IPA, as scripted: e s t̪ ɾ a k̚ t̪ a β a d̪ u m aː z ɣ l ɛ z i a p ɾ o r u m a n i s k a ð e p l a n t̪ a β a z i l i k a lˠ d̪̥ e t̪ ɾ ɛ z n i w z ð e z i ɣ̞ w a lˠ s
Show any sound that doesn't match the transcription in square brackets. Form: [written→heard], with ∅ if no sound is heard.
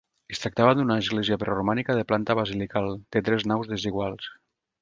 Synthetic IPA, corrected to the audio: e s t̪ ɾ a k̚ t̪ a β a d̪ u [m→n] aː z ɣ l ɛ z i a p ɾ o r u m a n i [s→∅] k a ð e p l a n t̪ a β a z i l i k a lˠ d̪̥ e t̪ ɾ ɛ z n [i→a] w z ð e z i ɣ̞ w a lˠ s